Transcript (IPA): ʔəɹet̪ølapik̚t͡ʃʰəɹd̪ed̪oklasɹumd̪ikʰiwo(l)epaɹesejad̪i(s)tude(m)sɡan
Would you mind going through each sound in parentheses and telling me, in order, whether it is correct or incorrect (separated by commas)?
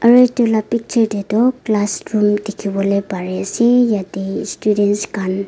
correct, correct, incorrect